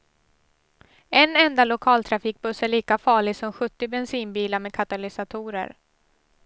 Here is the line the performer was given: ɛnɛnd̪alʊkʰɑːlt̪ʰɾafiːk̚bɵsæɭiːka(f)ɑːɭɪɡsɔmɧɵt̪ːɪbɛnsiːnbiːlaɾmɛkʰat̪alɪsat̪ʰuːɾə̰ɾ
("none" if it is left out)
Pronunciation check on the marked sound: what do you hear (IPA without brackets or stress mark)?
f